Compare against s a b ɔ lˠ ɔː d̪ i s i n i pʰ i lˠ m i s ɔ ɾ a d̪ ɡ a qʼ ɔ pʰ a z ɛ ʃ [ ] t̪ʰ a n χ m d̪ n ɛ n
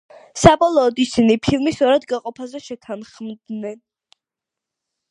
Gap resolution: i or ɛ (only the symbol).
ɛ